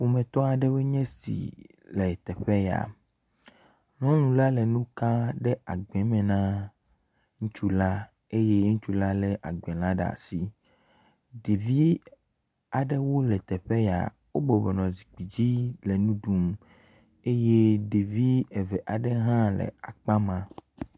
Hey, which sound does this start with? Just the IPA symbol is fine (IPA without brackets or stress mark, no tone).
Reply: w